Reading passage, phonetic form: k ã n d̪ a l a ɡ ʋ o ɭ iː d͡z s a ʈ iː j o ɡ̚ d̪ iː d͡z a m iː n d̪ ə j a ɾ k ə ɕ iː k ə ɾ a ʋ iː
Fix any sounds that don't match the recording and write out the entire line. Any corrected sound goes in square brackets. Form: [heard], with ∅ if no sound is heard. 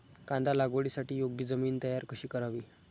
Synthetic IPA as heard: k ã n d̪ a l a ɡ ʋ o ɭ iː [∅] s a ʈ iː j o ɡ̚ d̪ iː d͡z [ə] m iː n [t̪] ə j a ɾ k ə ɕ iː k ə ɾ a ʋ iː